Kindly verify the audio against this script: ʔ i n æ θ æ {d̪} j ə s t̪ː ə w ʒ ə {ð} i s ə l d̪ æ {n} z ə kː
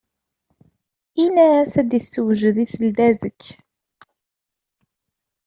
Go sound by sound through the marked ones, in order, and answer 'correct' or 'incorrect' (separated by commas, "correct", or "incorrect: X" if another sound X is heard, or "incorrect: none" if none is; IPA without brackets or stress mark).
correct, correct, incorrect: none